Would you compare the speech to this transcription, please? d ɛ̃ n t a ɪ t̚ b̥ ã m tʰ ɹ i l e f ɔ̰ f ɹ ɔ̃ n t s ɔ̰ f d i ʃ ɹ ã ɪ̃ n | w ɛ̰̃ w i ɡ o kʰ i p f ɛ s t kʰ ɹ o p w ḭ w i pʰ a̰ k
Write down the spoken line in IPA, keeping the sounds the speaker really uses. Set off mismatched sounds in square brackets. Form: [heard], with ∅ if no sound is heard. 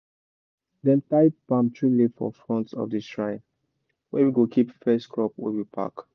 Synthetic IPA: d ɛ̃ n t a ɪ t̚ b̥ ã m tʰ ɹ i l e f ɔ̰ f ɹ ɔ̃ n t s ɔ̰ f d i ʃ ɹ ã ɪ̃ n | w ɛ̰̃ w i ɡ o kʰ i p f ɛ s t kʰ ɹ [ɔ] p w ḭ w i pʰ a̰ k